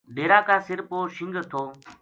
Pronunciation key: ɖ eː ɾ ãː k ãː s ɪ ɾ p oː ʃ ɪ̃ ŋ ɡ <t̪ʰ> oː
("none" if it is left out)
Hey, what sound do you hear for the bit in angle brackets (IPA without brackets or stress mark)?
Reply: t̪ʰ